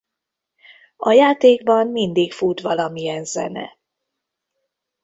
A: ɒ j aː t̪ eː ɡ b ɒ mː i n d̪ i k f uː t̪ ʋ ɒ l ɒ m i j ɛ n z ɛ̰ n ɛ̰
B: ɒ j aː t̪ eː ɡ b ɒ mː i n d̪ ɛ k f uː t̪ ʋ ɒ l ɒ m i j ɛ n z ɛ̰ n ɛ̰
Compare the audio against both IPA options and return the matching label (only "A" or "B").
A